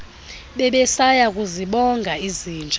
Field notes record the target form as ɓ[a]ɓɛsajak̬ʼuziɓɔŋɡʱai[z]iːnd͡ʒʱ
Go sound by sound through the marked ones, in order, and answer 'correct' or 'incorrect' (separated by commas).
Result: incorrect, correct